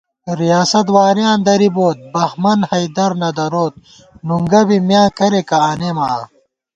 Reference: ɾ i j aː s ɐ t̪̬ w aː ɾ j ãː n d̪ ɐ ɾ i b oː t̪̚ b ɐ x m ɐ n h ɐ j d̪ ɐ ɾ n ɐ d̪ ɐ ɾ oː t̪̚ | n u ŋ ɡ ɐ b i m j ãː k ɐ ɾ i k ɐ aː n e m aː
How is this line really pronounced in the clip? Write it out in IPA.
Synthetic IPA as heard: ɾ i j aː s ɐ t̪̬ w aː ɾ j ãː n d̪ ɐ ɾ i b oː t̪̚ b ɐ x m ɐ n h ɐ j d̪ ɐ ɾ n ɐ d̪ ɐ ɾ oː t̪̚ | n u ŋ ɡ ɐ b i m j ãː k ɐ ɾ e k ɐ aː n e m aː